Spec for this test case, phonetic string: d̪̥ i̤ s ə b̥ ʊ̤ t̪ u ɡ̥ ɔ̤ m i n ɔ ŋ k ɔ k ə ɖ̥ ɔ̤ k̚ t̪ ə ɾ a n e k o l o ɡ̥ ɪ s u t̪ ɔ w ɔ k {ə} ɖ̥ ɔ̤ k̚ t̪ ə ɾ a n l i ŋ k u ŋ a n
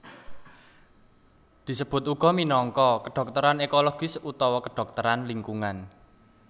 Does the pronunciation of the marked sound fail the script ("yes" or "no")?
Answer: no